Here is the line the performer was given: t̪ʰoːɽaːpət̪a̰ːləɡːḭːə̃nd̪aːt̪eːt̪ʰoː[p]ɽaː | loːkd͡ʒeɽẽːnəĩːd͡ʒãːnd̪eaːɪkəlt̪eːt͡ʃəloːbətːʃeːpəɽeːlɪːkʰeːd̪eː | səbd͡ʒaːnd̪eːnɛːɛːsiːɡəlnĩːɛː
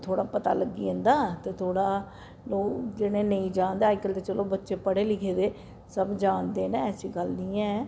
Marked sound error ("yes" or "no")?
yes